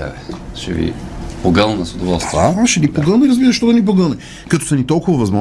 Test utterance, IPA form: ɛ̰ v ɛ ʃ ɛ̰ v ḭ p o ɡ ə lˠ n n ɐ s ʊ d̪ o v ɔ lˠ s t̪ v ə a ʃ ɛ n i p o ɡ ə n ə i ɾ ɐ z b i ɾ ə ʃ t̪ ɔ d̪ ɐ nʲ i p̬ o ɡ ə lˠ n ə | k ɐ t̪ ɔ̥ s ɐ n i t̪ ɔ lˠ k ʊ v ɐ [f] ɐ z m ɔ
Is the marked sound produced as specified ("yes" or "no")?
no